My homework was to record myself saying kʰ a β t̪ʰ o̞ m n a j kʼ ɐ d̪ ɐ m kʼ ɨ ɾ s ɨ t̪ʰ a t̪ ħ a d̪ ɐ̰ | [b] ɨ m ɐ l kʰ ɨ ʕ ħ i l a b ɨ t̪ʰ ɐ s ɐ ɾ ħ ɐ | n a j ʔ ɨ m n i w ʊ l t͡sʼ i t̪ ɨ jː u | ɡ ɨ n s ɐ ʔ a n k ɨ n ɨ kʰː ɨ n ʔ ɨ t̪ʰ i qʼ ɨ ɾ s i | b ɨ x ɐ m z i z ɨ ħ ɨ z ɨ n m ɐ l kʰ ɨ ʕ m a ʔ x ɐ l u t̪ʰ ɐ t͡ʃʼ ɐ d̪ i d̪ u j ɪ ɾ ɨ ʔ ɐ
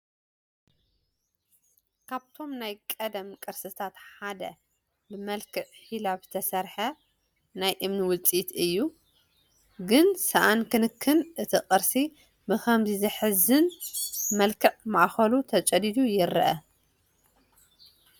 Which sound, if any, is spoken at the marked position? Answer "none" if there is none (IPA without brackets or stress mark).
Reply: b